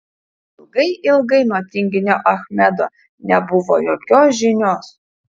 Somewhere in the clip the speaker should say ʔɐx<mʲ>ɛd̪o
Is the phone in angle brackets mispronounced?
no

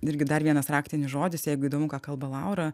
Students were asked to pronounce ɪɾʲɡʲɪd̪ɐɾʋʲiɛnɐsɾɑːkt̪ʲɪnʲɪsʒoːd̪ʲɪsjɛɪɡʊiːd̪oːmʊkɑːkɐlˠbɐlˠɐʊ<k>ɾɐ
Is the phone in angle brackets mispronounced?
yes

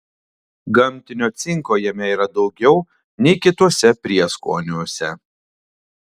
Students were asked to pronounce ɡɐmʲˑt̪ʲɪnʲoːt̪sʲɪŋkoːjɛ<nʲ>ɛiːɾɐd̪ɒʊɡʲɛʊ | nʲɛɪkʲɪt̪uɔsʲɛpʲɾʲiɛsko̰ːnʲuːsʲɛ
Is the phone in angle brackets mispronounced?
yes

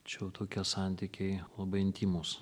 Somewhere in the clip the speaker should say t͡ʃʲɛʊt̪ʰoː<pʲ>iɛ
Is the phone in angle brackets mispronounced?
yes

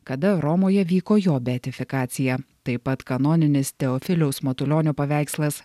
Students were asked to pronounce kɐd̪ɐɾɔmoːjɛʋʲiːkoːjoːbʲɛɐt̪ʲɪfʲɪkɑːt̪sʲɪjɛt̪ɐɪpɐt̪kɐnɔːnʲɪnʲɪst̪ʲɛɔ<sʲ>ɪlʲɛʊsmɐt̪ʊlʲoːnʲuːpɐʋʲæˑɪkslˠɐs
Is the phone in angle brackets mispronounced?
yes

